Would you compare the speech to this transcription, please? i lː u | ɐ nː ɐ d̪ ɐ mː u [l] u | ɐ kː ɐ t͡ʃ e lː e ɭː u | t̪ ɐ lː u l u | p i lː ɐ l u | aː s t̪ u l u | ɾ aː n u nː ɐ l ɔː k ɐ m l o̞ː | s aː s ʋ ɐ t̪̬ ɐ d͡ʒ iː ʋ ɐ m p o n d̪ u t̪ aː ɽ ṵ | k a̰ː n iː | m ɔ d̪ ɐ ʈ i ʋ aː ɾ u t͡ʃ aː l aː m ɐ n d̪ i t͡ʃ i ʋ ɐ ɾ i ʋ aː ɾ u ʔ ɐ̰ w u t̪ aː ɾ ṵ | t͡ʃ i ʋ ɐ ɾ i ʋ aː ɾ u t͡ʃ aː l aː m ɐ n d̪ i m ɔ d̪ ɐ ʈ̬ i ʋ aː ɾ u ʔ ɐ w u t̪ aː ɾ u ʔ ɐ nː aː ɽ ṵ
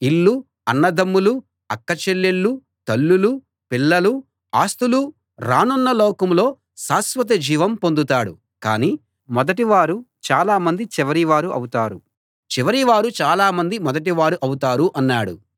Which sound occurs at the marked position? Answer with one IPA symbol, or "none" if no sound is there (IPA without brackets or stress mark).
l